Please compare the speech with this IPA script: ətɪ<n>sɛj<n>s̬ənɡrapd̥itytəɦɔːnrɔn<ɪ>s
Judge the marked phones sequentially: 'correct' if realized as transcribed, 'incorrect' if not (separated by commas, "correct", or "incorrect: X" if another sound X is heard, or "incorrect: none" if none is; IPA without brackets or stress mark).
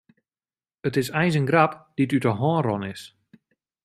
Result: incorrect: none, correct, correct